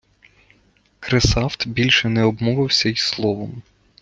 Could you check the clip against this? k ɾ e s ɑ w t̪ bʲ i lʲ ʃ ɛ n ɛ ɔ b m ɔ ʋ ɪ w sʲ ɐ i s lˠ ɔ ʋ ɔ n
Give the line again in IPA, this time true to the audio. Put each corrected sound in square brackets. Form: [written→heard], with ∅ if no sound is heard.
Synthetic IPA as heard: k ɾ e s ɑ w t̪ bʲ i lʲ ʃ ɛ n ɛ ɔ b m ɔ ʋ ɪ w sʲ ɐ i s lˠ ɔ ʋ ɔ [n→m]